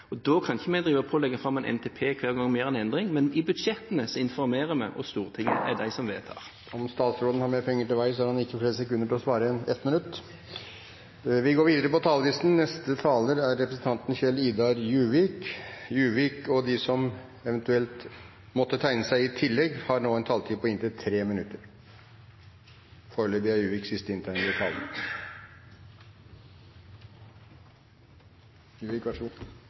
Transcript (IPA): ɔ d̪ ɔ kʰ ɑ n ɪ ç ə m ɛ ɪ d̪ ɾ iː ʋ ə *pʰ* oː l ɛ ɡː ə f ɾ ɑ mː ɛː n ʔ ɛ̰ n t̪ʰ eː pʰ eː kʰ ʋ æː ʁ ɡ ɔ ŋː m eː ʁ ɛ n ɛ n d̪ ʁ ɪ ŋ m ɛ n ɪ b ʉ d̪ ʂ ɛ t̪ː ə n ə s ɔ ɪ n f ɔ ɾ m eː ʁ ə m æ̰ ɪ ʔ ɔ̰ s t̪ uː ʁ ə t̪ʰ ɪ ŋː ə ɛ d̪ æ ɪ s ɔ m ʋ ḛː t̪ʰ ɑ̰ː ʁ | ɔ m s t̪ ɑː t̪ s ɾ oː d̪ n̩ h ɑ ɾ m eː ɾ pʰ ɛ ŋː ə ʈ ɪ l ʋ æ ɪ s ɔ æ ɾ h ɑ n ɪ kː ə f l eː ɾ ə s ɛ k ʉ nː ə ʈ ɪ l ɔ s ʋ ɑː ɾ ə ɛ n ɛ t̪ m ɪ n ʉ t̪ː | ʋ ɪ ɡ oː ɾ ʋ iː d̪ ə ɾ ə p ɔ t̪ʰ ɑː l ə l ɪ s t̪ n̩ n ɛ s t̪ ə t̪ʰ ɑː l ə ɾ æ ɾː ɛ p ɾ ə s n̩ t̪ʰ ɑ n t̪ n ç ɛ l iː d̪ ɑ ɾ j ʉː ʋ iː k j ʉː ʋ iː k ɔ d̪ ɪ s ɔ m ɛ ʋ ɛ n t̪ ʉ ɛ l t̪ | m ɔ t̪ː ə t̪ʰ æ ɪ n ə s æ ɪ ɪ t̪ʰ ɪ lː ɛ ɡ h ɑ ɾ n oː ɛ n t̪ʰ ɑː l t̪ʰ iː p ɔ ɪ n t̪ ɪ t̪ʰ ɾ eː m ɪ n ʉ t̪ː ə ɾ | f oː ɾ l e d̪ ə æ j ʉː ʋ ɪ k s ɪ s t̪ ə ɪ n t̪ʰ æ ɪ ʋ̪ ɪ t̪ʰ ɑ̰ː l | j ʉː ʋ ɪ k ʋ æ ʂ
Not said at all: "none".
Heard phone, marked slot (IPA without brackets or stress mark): pʰ